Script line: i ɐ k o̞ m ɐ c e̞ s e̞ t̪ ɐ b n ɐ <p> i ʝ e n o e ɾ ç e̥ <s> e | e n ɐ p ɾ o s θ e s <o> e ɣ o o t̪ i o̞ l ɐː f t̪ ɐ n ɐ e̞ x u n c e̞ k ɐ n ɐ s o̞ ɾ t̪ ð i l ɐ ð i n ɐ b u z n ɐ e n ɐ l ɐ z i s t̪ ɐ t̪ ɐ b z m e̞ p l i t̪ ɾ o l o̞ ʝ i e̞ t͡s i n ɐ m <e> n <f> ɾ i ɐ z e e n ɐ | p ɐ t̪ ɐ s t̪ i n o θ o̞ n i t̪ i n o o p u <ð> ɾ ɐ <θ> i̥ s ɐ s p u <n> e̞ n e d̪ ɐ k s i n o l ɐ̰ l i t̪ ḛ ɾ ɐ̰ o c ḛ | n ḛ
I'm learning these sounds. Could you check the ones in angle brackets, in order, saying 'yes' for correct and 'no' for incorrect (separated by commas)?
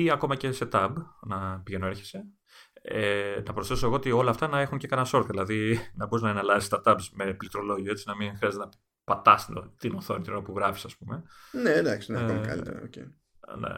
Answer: yes, yes, yes, no, no, no, no, no